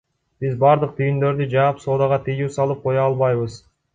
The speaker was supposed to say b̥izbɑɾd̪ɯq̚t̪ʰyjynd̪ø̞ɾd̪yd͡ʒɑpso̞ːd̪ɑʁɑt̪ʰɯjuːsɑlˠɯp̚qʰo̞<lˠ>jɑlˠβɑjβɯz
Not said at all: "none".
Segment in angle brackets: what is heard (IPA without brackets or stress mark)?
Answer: none